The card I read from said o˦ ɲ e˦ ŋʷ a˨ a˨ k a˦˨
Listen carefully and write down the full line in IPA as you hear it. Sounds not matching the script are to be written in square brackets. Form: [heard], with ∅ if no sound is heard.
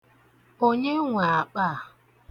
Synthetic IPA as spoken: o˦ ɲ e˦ ŋʷ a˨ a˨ [k͡p] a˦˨